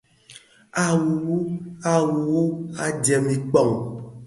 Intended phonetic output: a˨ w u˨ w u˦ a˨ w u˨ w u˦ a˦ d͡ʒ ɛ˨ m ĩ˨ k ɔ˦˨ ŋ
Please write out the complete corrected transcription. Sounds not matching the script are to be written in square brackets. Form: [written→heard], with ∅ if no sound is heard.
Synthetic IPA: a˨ w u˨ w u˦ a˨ w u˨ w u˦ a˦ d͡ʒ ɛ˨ m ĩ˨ [k→k͡p] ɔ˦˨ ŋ